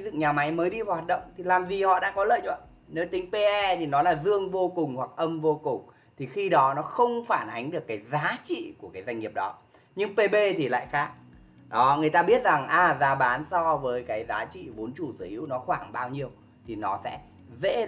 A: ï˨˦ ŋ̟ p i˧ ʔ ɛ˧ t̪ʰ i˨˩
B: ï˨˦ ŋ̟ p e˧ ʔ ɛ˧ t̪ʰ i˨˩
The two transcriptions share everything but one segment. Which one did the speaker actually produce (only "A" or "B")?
B